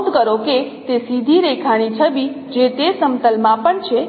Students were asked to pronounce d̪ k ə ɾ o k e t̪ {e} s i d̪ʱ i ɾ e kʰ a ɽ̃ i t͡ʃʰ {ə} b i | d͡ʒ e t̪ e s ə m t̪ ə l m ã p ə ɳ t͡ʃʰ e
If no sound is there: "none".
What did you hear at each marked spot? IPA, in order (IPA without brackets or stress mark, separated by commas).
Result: e, ə